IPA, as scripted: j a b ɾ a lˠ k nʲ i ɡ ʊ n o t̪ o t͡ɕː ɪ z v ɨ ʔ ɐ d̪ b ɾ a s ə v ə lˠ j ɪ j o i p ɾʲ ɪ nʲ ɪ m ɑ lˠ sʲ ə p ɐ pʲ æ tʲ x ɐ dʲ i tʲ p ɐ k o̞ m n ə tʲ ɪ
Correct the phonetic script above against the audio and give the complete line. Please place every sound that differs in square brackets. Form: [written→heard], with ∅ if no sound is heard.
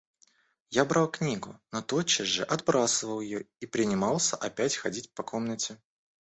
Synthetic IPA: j a b ɾ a lˠ k nʲ i ɡ ʊ n o t̪ o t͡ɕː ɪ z [v→ʐ] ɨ ʔ ɐ d̪ b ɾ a s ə v ə lˠ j ɪ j o i p ɾʲ ɪ nʲ ɪ m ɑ lˠ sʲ ə [p→ʔ] ɐ pʲ æ tʲ x ɐ dʲ i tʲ p ɐ k o̞ m n ə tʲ ɪ